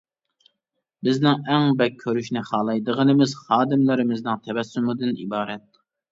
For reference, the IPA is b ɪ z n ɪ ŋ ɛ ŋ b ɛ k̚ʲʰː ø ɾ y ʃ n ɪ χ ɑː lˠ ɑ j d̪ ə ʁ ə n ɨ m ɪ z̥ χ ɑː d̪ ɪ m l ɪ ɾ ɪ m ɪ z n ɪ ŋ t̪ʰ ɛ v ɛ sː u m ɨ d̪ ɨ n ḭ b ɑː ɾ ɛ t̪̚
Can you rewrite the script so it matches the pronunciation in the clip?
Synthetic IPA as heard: b ɪ z n ɪ ŋ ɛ ŋ b ɛ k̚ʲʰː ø ɾ y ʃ n ɪ χ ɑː lˠ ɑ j d̪ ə ʁ ə n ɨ m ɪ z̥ χ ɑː d̪ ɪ m l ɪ ɾ ɪ m ɪ z n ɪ ŋ t̪ʰ ɛ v ɛ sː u m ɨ d̪ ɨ n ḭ b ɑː ɾ ɛ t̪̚